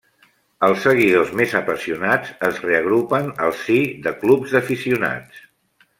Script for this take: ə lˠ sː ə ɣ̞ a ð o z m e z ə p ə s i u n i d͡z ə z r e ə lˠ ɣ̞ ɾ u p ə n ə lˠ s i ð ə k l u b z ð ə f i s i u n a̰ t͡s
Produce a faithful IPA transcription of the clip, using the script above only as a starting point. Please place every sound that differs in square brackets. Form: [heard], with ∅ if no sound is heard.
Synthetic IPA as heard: ə lˠ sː ə ɣ̞ [i] ð o z m e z ə p ə s i u n [a] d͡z ə z r e ə [∅] ɣ̞ ɾ u p ə n ə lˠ s i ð ə k l u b z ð ə f i s i u n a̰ t͡s